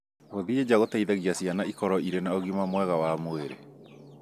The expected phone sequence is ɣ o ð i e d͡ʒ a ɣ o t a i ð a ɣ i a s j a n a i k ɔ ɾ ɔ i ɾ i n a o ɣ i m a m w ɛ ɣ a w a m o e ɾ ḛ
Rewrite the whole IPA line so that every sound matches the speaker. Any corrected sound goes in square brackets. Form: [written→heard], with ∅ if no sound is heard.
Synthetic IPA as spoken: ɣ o ð i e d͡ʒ a ɣ o t a i ð a ɣ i a s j a n a i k ɔ ɾ ɔ i ɾ [i→e] n a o ɣ i m a m w ɛ ɣ a w a m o e ɾ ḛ

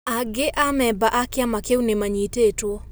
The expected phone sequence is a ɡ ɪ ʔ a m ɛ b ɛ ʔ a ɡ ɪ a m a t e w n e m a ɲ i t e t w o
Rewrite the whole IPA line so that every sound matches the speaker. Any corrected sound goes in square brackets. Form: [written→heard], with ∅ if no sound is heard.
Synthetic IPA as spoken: a ɡ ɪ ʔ a m ɛ b [ɛ→a] ʔ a [ɡ→k] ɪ a m a [t→k] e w n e m a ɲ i t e t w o

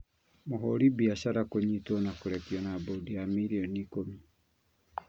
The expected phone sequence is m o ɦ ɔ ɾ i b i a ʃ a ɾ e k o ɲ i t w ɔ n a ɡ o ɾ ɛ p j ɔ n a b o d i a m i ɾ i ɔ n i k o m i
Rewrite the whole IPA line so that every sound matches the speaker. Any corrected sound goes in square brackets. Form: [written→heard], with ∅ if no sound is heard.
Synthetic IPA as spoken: m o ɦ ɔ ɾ i b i a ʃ a ɾ [e→a] k o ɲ i t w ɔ n a [ɡ→k] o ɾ ɛ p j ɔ n a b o d i a m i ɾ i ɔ n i k o m i

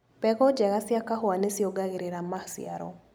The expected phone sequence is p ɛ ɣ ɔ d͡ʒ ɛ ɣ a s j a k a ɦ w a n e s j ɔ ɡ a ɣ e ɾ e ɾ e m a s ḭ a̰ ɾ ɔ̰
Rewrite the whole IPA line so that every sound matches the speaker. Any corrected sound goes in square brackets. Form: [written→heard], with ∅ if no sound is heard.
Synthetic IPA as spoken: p ɛ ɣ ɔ d͡ʒ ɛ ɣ a s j a k a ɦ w a n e s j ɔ ɡ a ɣ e ɾ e ɾ [e→a] m a s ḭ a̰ ɾ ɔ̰

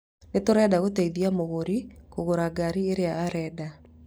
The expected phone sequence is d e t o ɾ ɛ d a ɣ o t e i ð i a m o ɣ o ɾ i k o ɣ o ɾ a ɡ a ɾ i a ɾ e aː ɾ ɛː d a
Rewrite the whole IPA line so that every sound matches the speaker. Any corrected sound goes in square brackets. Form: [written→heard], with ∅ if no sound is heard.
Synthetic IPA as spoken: [d→n] e t o ɾ ɛ d a ɣ o t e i ð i a m o ɣ o ɾ i k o ɣ o ɾ a ɡ a ɾ i [a→e] ɾ e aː ɾ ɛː d a

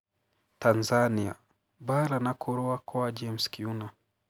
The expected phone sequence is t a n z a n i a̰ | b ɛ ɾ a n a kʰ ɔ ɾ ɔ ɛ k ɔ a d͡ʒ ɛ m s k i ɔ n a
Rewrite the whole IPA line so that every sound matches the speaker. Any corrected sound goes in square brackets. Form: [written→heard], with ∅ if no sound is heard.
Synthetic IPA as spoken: t a n z a n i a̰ | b [ɛ→a] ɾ a n a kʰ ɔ ɾ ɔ [ɛ→a] k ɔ a d͡ʒ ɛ m s k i [ɔ→u] n a

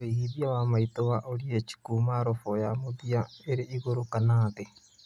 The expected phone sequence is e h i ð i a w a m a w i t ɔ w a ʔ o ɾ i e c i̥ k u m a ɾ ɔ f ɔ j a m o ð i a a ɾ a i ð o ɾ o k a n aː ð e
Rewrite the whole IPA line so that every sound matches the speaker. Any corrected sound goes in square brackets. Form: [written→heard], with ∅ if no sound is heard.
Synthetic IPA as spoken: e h i ð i a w a m a [w→∅] i t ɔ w a ʔ o ɾ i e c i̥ k u m a ɾ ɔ f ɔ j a m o ð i a [a→e] ɾ [a→e] i [ð→ɣ] o ɾ o k a n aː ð e

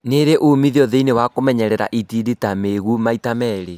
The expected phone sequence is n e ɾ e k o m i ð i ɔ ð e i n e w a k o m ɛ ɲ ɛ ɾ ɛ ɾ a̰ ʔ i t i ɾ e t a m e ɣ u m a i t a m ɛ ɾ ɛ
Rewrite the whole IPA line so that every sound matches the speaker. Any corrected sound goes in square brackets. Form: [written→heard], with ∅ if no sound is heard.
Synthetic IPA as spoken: n e ɾ e [k→ʔ] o m i ð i ɔ ð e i n e w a k o m ɛ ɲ ɛ ɾ ɛ ɾ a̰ ʔ i t i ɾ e t a m e ɣ u m a i t a m ɛ ɾ [ɛ→e]

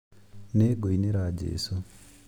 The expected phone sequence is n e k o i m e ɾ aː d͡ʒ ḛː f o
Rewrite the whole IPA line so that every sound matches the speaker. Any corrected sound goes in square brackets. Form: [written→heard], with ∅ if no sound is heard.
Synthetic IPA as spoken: n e [k→ɡ] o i [m→n] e ɾ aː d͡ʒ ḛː [f→s] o

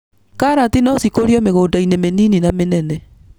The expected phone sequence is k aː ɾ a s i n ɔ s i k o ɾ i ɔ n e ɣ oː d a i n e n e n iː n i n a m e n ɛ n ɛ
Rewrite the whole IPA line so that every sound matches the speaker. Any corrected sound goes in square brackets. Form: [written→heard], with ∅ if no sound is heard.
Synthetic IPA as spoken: k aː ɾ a [s→t] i n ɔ s i k o ɾ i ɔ [n→m] e ɣ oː d a i n e [n→m] e n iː n i n a m e n ɛ n ɛ

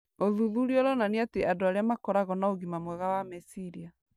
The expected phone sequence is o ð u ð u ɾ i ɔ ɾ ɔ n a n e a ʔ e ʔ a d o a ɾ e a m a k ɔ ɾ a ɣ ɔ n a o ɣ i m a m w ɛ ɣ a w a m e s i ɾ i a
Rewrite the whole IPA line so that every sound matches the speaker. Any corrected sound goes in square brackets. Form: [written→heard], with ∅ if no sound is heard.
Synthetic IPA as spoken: o ð u ð u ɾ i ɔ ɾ ɔ n a n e a [ʔ→t] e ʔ a d o a ɾ e a m a k ɔ ɾ a ɣ ɔ n a o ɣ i m a m w ɛ ɣ a w a m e s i ɾ i a

